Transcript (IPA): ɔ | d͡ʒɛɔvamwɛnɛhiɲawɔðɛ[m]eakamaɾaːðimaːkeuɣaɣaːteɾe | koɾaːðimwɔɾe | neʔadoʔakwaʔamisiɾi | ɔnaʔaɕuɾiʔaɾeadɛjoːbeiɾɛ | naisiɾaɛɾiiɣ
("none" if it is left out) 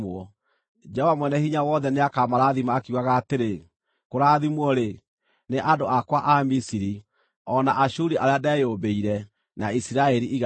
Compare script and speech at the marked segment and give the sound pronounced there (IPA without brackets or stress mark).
n